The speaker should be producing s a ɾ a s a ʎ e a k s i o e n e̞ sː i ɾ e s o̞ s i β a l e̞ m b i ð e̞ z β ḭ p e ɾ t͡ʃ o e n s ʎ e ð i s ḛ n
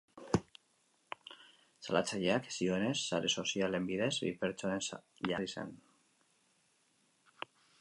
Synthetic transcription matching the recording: s a l a t͡s a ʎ e a k s i o e n e̞ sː a ɾ e s o̞ s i a l e̞ m b i ð e̞ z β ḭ p e ɾ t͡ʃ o e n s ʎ a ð i s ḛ n